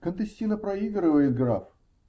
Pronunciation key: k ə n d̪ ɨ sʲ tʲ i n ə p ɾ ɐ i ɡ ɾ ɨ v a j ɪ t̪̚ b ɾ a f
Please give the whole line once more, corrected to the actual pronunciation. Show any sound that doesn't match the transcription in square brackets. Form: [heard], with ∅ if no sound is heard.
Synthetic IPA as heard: k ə n [t̪] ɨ sʲ tʲ i n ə p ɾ ɐ i ɡ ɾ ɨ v [ə] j ɪ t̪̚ [ɡ] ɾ a f